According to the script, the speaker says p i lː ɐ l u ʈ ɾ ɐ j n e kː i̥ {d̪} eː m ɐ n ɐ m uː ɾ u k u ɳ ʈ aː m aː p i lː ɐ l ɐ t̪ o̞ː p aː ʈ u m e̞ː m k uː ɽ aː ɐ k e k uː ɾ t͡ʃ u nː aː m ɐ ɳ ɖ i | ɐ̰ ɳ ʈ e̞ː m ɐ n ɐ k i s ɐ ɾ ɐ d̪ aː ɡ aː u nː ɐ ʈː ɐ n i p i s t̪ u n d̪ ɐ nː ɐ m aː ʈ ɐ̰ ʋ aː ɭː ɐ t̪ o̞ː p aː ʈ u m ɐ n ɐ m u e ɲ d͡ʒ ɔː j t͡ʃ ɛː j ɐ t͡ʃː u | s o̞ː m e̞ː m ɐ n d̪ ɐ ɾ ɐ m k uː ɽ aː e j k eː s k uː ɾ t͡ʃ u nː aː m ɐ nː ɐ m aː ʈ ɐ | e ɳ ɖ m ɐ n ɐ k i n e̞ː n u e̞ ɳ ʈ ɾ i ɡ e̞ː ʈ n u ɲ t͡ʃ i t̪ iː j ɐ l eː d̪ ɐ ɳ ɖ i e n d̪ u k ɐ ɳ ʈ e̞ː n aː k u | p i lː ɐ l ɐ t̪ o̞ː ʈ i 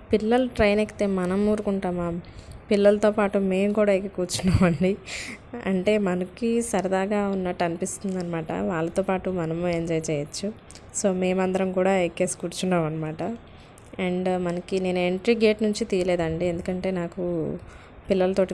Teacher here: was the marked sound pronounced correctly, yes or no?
no